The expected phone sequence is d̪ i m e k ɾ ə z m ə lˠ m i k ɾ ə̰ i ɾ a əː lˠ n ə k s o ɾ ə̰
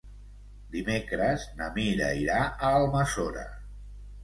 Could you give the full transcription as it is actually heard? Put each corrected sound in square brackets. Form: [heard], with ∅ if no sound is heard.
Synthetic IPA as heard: d̪ i m e k ɾ ə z [n] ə [∅] m i [∅] ɾ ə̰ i ɾ a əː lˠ [m] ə [∅] s o ɾ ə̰